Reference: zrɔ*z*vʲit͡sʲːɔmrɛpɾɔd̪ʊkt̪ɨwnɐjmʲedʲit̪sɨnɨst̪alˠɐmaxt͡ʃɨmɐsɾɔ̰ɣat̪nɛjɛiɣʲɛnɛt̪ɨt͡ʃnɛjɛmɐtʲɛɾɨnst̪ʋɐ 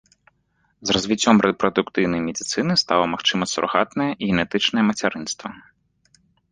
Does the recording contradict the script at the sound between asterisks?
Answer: no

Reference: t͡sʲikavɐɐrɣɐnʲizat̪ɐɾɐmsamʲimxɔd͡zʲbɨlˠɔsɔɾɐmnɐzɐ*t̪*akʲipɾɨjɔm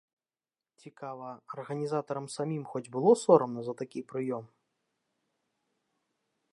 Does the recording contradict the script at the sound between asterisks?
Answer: no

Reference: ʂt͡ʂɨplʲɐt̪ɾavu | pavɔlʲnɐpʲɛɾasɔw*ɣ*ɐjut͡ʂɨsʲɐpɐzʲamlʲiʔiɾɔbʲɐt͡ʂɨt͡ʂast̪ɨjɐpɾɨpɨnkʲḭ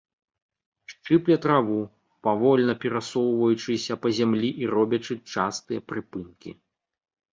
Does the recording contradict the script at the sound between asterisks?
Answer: yes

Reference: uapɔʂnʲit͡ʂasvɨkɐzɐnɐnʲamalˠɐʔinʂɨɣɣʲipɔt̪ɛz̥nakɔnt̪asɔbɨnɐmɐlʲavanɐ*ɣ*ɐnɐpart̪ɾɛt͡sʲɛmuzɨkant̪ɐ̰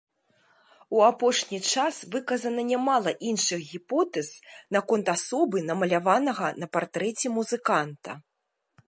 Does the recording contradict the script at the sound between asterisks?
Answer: no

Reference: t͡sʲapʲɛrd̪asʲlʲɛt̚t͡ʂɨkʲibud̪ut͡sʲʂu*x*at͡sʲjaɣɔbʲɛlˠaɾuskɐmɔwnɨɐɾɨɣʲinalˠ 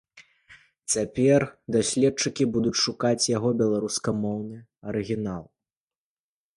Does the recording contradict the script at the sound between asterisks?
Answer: yes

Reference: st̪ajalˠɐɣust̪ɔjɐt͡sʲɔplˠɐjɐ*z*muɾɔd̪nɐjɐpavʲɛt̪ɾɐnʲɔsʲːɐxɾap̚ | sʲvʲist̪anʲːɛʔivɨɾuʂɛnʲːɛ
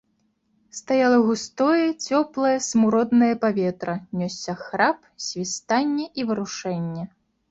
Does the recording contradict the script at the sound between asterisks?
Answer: yes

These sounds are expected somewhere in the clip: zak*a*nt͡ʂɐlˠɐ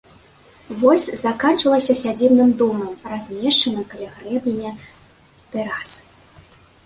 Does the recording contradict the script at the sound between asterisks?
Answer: no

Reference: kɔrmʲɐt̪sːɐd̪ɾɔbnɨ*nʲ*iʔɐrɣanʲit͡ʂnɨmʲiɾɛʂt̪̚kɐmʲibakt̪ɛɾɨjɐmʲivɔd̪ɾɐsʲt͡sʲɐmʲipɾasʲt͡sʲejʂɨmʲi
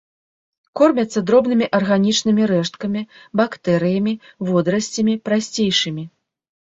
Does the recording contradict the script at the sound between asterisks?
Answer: yes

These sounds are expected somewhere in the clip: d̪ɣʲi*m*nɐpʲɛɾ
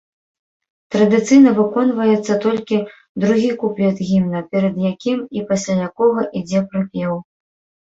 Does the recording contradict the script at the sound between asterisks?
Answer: no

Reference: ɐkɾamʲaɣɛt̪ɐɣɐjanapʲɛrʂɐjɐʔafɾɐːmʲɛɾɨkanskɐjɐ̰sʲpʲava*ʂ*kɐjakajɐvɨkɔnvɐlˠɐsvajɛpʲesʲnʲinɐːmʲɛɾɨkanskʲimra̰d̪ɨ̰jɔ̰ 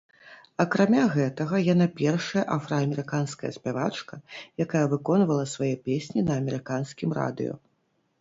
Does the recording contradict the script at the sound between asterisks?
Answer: yes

